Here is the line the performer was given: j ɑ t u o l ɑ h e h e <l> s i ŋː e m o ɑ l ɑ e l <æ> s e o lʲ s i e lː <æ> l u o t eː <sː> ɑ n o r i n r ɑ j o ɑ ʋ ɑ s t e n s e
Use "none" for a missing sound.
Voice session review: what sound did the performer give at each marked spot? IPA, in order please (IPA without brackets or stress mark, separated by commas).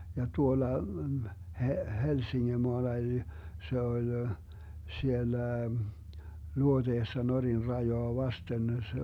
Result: l, i, æ, sː